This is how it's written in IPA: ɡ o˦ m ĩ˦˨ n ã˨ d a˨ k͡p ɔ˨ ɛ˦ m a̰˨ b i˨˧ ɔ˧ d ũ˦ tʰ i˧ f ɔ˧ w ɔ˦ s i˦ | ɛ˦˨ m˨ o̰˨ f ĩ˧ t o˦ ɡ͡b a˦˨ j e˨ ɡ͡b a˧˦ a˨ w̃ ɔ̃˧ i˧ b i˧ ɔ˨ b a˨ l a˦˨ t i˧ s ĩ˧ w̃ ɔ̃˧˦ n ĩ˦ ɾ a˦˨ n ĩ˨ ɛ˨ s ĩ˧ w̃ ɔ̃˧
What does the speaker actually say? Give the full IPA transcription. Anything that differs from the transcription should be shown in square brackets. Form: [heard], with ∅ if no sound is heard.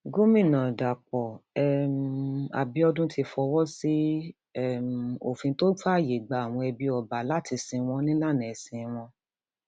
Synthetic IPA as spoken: ɡ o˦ m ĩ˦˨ n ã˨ d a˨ k͡p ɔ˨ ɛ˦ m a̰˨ b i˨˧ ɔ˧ d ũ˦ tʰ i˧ f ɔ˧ w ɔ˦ s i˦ | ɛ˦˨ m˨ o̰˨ f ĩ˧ t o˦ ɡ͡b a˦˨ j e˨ ɡ͡b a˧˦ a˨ w̃ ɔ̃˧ [ɛ˧] b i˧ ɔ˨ b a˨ l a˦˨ t i˧ s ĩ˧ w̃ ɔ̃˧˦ n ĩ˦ [l] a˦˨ n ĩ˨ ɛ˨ s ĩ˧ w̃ ɔ̃˧